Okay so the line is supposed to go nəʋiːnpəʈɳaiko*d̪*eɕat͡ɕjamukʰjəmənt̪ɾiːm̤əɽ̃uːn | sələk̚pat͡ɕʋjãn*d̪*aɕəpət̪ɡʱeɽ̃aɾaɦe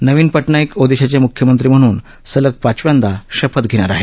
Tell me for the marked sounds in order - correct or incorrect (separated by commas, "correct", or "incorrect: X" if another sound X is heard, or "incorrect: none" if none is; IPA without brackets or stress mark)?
correct, correct